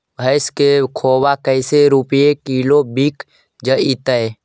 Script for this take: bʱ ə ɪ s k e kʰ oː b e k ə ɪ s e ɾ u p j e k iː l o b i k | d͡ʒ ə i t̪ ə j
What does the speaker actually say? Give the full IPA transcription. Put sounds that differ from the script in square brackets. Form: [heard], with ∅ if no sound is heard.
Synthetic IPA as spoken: bʱ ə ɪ s k e kʰ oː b [a] k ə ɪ s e ɾ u p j e k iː l o b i k | d͡ʒ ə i t̪ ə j